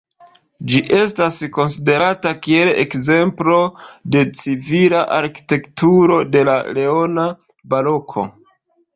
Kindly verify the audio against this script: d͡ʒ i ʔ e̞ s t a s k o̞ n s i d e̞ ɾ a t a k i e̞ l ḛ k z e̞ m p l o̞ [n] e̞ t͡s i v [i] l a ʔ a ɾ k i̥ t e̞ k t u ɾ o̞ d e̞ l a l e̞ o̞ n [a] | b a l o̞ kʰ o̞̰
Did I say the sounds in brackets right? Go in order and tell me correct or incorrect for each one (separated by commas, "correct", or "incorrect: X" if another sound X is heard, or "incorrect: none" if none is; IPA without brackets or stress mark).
incorrect: d, correct, correct